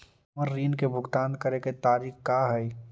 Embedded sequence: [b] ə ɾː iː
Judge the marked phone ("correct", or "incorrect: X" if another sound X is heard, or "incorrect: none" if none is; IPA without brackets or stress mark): incorrect: m